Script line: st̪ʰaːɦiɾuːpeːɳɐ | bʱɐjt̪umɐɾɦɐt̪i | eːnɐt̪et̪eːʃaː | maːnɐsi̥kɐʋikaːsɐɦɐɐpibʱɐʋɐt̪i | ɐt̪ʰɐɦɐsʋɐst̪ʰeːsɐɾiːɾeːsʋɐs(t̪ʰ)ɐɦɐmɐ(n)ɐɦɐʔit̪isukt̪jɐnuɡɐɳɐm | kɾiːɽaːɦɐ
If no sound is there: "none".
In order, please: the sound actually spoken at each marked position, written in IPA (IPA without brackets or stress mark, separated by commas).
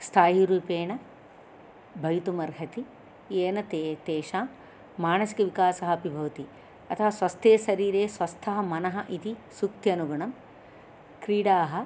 t̪ʰ, n